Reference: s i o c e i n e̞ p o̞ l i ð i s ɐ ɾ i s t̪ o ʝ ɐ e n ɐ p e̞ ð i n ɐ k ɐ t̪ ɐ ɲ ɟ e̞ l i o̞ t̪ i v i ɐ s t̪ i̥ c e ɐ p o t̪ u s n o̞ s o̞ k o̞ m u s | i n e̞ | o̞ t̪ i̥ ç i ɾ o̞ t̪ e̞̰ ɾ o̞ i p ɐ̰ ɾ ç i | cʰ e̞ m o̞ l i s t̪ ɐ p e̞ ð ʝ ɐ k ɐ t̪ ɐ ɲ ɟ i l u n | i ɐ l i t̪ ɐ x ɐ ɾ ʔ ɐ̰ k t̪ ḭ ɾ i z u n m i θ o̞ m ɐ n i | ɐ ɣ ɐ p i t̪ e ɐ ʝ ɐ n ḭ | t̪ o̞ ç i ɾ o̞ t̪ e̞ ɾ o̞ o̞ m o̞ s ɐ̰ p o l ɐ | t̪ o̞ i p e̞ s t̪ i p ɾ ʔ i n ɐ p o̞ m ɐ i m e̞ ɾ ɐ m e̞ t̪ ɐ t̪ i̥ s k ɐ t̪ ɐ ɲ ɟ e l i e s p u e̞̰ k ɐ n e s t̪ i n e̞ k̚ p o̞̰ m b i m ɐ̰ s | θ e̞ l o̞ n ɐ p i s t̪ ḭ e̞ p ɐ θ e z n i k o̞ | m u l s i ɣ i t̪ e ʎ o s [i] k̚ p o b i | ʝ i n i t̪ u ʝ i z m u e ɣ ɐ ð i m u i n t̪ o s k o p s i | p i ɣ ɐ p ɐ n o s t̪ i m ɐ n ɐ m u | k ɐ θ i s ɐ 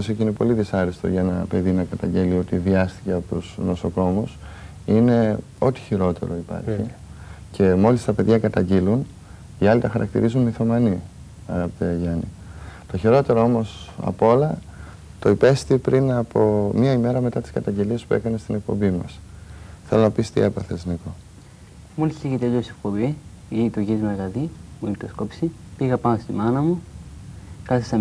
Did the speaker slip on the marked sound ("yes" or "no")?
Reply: yes